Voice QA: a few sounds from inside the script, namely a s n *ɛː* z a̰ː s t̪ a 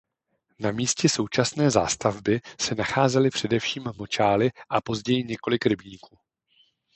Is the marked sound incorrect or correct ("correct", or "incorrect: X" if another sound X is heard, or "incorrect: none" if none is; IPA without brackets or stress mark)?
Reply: correct